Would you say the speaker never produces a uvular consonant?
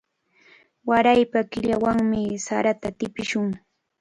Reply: yes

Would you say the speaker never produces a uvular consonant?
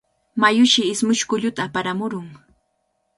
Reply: yes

